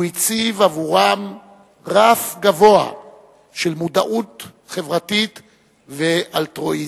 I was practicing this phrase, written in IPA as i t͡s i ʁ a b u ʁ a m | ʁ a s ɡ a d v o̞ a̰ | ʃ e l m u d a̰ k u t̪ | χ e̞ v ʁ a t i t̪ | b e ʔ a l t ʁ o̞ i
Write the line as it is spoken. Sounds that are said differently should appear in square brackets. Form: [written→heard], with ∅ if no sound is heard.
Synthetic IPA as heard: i t͡s i [ʁ→v] a [b→v] u ʁ a m | ʁ a [s→f] ɡ a [d→∅] v o̞ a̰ | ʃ e l m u d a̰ [k→ʔ] u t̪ | χ e̞ v ʁ a t i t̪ | [b→v] e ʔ a l t ʁ o̞ i